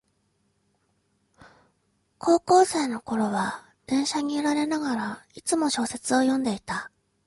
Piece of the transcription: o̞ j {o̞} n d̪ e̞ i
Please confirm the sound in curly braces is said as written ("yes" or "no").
no